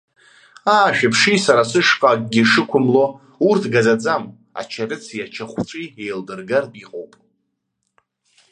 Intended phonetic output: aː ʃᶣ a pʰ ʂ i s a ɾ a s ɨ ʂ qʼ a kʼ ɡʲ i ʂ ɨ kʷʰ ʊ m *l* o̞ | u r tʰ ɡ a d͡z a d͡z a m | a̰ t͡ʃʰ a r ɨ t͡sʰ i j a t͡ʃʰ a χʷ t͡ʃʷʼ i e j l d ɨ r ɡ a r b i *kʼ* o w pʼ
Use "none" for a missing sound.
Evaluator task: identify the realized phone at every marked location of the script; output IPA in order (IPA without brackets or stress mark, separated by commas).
l, qʼ